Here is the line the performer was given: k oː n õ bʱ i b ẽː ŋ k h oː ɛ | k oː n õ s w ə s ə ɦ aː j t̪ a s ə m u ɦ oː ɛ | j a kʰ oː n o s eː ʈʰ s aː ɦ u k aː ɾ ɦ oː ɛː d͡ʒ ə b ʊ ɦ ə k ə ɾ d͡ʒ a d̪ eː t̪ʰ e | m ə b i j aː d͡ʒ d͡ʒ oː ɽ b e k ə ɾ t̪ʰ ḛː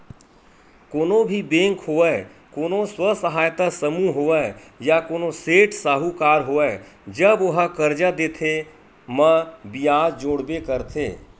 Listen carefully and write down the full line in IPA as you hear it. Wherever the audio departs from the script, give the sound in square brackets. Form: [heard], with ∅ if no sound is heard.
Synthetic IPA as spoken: k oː n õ bʱ i b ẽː ŋ k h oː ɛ | k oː n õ s w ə s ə ɦ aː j t̪ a s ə m u ɦ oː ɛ | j a [k] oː n o s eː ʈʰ s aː ɦ u k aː ɾ ɦ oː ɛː d͡ʒ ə b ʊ ɦ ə k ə ɾ d͡ʒ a d̪ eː t̪ʰ e | m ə b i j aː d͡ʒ d͡ʒ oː ɽ b e k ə ɾ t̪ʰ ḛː